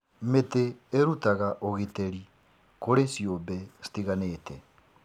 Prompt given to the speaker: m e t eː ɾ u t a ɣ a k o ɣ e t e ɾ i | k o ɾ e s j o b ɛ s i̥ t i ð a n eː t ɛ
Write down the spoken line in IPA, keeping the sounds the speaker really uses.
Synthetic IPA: m e t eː ɾ u t a ɣ a ʔ o ɣ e t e ɾ i | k o ɾ e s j o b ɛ s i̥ t i ɣ a n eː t ɛ